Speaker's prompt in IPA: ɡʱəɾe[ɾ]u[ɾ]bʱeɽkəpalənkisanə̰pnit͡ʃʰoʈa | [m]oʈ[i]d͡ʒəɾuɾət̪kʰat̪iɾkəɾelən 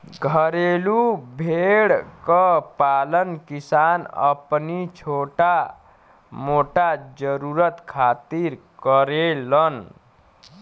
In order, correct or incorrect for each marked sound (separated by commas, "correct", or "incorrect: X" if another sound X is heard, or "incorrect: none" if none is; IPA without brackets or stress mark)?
incorrect: l, incorrect: none, correct, incorrect: a